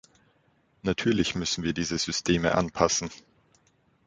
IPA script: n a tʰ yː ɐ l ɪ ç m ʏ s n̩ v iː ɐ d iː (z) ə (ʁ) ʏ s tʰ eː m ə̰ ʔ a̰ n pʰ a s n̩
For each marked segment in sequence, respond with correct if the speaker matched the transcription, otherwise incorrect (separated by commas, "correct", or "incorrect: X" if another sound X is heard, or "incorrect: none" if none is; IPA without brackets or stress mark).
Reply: correct, incorrect: z